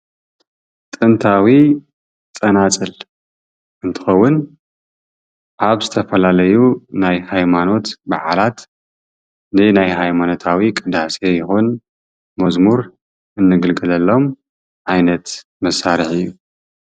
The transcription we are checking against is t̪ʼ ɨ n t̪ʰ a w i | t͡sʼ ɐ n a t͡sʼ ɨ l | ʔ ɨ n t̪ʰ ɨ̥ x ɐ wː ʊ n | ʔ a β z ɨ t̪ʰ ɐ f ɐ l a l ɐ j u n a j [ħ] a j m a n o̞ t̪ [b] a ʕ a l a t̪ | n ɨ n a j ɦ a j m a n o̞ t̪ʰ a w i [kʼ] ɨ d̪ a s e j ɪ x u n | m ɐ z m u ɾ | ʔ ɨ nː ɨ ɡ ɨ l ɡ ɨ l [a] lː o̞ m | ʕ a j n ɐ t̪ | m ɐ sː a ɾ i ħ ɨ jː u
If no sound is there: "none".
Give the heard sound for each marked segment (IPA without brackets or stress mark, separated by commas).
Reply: h, b, kʼ, ɐ